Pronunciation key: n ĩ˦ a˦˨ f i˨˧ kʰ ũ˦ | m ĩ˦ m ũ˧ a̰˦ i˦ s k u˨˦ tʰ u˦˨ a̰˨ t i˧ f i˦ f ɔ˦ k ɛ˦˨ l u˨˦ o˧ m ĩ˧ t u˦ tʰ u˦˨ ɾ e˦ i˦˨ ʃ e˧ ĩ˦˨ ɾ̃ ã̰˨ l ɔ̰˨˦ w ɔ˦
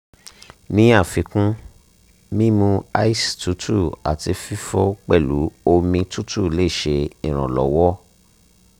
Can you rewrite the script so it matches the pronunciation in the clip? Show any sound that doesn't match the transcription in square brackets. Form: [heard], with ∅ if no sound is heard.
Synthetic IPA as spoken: n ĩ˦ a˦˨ f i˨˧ [k] ũ˦ | m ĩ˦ m ũ˧ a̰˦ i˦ s [t] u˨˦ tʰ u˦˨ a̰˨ t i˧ f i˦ f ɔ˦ [k͡p] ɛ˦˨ l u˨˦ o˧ m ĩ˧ t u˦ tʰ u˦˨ [l] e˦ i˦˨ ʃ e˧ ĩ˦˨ ɾ̃ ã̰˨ l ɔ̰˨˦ w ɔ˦